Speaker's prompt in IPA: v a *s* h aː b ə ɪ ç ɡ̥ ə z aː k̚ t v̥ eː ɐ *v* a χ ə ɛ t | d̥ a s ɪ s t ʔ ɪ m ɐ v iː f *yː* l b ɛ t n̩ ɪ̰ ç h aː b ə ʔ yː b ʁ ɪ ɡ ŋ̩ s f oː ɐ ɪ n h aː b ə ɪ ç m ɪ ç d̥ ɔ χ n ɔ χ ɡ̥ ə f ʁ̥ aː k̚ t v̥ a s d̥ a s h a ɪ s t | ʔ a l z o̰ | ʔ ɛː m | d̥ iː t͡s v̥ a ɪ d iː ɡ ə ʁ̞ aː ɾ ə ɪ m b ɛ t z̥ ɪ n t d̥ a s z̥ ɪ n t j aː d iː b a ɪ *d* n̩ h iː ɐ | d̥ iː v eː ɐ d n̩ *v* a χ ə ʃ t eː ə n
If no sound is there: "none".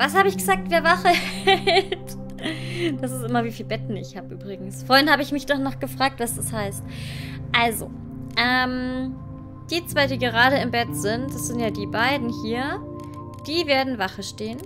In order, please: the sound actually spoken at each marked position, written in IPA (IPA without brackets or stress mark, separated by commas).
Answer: s, v, iː, d, v